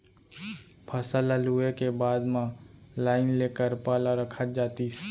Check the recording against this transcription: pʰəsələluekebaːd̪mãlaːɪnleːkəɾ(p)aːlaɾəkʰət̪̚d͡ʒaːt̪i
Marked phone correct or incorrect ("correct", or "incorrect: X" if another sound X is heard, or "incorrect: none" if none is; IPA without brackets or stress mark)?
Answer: correct